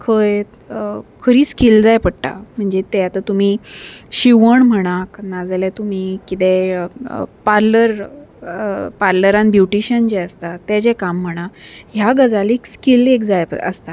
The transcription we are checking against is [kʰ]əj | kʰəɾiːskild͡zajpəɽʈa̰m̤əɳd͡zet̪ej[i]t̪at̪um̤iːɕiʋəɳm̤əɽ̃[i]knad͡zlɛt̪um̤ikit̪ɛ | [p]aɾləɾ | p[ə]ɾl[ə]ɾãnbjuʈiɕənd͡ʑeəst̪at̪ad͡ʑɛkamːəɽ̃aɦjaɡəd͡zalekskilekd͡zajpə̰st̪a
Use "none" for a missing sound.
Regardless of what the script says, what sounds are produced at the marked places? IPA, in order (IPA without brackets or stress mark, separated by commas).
kʰ, a, a, p, a, ə